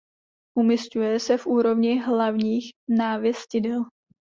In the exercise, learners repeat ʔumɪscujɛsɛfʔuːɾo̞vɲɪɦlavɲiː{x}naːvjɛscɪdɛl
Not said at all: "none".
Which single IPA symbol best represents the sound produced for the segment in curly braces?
x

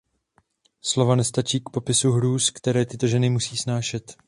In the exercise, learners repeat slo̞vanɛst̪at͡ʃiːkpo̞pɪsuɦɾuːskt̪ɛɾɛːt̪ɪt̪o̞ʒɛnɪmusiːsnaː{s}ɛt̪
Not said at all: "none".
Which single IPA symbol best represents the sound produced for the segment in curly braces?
ʃ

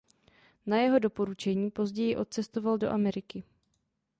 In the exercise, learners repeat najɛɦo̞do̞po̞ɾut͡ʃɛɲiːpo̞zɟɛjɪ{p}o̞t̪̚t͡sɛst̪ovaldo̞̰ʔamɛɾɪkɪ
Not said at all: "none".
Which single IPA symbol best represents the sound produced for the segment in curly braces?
ʔ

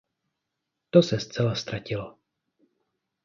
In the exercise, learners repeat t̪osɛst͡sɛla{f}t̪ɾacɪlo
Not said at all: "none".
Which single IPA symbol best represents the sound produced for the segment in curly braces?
s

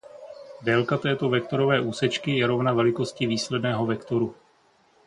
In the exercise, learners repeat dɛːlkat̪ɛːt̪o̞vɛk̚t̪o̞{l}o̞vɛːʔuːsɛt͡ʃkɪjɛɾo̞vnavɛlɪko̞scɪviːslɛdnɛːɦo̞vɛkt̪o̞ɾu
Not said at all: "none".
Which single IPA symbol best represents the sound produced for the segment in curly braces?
ɾ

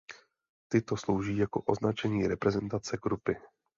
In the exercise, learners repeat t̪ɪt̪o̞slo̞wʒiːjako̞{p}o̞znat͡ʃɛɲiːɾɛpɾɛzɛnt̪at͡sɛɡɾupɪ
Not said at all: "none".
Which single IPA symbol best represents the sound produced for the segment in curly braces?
ʔ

